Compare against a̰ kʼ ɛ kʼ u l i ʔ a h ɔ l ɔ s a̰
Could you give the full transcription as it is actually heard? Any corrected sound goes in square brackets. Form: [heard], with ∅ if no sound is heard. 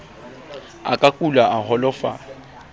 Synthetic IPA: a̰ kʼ [a] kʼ u l [a] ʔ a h ɔ l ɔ [f] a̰

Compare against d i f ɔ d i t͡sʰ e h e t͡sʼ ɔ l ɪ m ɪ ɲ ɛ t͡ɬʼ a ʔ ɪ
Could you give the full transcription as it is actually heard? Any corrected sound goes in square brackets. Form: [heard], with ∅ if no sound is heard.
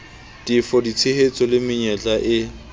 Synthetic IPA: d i f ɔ d i t͡sʰ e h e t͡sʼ ɔ l ɪ m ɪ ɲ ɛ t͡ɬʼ a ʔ ɪ

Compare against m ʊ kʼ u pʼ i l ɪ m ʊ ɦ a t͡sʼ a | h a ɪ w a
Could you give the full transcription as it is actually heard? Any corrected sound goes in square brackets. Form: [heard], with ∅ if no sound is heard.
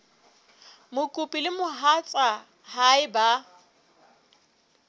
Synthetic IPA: m ʊ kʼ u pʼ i l ɪ m ʊ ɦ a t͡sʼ a | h a ɪ [b] a

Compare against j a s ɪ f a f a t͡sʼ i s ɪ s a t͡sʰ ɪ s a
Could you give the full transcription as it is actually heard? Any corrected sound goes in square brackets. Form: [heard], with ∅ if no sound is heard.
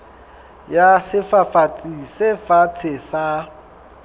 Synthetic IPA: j a s ɪ f a f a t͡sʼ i s ɪ [f] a t͡sʰ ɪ s a

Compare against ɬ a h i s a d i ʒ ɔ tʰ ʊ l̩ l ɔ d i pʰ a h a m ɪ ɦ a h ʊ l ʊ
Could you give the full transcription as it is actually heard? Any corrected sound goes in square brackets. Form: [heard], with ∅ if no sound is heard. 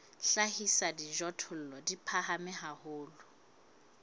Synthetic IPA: ɬ a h i s a d i ʒ ɔ tʰ ʊ l̩ l ɔ d i pʰ a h a m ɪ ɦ a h [ʊː] l ʊ

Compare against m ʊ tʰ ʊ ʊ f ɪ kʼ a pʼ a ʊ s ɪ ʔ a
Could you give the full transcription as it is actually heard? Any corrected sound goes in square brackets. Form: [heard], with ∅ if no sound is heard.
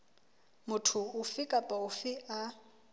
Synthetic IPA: m ʊ tʰ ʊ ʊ f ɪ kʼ a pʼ a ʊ [f] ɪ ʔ a

